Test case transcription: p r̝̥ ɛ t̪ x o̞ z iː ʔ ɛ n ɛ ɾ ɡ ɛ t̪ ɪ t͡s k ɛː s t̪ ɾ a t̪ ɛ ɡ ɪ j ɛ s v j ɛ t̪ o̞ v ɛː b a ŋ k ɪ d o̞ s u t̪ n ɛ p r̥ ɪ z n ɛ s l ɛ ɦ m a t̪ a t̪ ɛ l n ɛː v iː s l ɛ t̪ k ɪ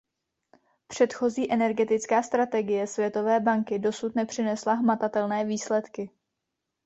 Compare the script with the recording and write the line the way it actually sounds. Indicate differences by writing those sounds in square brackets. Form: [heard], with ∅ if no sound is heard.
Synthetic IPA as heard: p r̝̥ ɛ t̪ x o̞ z iː ʔ ɛ n ɛ ɾ ɡ ɛ t̪ ɪ t͡s k [aː] s t̪ ɾ a t̪ ɛ ɡ ɪ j ɛ s v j ɛ t̪ o̞ v ɛː b a ŋ k ɪ d o̞ s u t̪ n ɛ p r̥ ɪ [∅] n ɛ s l [a] ɦ m a t̪ a t̪ ɛ l n ɛː v iː s l ɛ t̪ k ɪ

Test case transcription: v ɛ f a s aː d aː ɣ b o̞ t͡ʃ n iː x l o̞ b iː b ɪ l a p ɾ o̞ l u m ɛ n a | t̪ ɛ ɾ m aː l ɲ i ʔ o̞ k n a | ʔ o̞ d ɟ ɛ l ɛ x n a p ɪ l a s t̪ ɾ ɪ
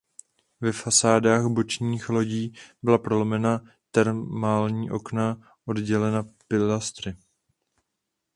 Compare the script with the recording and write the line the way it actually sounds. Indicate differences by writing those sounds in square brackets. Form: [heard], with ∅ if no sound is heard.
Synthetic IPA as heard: v ɛ f a s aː d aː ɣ b o̞ t͡ʃ [ɲ] iː x l o̞ [ɟ] iː b ɪ l a p ɾ o̞ l [o] m ɛ n a | t̪ ɛ ɾ m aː l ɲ [iː] ʔ o̞ k n a | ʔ o̞ d ɟ ɛ l ɛ [∅] n a p ɪ l a s t̪ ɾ ɪ

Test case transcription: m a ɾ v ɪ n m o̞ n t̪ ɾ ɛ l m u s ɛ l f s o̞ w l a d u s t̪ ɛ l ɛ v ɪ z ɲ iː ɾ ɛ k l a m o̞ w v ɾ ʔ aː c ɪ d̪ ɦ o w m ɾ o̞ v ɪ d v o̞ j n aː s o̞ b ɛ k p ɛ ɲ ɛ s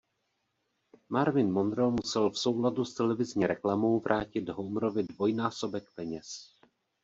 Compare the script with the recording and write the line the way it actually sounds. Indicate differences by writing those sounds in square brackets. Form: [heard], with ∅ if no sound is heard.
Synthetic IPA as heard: m a ɾ v ɪ n m o̞ n [d̪] ɾ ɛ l m u s ɛ l f s o̞ w l a d u s t̪ ɛ l ɛ v ɪ z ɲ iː ɾ ɛ k l a m o̞ w v ɾ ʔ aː c ɪ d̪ ɦ o w m ɾ o̞ v ɪ d v o̞ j n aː s o̞ b ɛ k p ɛ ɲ ɛ s

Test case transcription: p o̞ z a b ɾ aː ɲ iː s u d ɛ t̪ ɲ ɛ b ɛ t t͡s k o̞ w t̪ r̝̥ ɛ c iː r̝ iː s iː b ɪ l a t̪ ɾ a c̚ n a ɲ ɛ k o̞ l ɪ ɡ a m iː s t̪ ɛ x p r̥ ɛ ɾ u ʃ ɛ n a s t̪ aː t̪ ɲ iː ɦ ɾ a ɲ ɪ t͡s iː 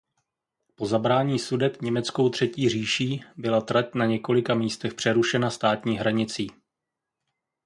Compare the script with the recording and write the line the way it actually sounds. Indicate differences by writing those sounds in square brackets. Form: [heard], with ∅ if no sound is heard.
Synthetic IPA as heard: p o̞ z a b ɾ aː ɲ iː s u d ɛ t̪ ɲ ɛ [m] ɛ t t͡s k o̞ w t̪ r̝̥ ɛ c iː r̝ iː [ʃ] iː b ɪ l a t̪ ɾ a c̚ n a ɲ ɛ k o̞ l ɪ [k] a m iː s t̪ ɛ x p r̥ ɛ ɾ u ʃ ɛ n a s t̪ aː t̪ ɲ iː ɦ ɾ a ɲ ɪ t͡s iː

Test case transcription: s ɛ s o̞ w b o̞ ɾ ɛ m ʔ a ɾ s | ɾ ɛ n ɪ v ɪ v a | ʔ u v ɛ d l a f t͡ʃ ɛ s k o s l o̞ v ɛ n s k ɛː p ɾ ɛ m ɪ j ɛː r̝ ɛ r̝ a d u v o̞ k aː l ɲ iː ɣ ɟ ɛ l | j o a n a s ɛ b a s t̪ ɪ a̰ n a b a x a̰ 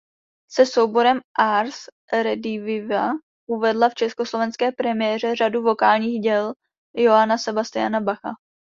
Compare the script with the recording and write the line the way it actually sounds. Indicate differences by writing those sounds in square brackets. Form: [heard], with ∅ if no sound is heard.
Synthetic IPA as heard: s ɛ s o̞ w b o̞ ɾ ɛ m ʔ a ɾ s | ɾ ɛ [d] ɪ v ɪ v a | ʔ u v ɛ d l a f t͡ʃ ɛ s k o s l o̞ v ɛ n s k ɛː p ɾ ɛ m ɪ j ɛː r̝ ɛ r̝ a d u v o̞ k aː l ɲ iː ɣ ɟ ɛ l | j o a n a s ɛ b a s t̪ ɪ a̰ n a b a x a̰

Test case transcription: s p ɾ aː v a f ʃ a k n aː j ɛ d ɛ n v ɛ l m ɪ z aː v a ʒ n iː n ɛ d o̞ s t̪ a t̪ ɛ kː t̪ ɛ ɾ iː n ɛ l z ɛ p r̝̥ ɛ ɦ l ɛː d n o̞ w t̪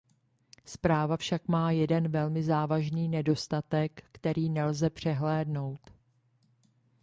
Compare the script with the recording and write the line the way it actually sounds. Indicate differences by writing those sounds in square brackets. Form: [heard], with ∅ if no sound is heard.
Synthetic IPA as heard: s p ɾ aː v a f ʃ a k [m] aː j ɛ d ɛ n v ɛ l m ɪ z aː v a ʒ n iː n ɛ d o̞ s t̪ a t̪ ɛ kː t̪ ɛ ɾ iː n ɛ l z ɛ p r̝̥ ɛ ɦ l ɛː d n o̞ w t̪

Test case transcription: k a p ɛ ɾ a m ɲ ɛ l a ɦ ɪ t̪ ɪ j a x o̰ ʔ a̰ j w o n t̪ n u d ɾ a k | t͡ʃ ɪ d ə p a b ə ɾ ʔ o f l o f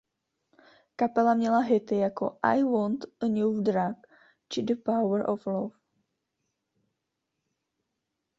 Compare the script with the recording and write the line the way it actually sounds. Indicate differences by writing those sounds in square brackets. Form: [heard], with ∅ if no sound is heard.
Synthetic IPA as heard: k a p ɛ [l] a m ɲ ɛ l a ɦ ɪ t̪ ɪ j a [k] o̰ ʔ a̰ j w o n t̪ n u d ɾ a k | t͡ʃ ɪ d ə p a [w] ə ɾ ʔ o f l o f

